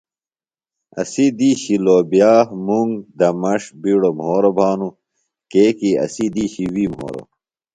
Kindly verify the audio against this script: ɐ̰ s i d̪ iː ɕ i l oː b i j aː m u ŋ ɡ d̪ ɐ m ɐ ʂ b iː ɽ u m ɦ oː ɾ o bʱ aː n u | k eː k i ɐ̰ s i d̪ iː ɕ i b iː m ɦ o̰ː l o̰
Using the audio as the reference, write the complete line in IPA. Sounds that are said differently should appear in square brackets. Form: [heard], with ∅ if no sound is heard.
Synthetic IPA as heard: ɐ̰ s i d̪ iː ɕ i l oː b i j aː m u ŋ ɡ d̪ ɐ m ɐ ʂ b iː ɽ [o] m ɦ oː ɾ o bʱ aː n u | k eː k i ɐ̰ s i d̪ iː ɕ i [w] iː m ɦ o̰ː [ɾ] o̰